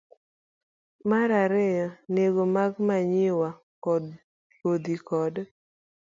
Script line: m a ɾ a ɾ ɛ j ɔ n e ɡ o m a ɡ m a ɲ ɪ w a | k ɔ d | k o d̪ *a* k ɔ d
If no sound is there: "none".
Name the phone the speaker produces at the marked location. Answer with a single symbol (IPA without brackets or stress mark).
i